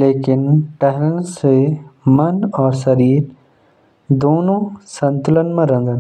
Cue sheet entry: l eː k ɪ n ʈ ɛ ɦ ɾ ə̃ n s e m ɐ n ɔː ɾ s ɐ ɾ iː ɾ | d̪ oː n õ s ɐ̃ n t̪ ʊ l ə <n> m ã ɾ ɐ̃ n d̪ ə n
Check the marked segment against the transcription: correct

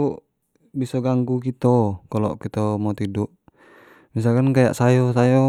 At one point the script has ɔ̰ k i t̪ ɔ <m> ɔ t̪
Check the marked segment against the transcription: correct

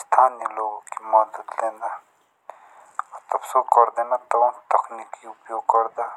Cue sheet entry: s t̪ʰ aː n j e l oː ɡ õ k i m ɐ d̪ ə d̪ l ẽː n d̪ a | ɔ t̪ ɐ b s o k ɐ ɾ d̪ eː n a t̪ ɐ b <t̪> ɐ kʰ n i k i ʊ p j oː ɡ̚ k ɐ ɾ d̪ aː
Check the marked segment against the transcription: correct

